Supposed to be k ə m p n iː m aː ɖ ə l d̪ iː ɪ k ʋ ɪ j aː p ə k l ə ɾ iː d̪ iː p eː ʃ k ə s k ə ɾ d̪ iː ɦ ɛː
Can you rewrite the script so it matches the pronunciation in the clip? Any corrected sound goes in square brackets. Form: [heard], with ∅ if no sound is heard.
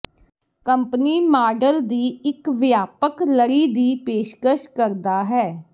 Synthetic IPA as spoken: k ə m p n iː m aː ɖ ə l d̪ iː ɪ k ʋ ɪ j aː p ə k l ə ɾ iː d̪ iː p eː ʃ k ə [ʃ] k ə ɾ d̪ [aː] ɦ ɛː